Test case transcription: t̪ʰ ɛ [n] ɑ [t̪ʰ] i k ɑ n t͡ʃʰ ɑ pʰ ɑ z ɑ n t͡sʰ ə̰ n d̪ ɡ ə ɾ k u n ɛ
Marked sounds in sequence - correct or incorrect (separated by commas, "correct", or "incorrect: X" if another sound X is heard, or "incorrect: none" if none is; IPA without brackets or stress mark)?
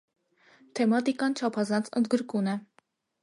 incorrect: m, incorrect: t̪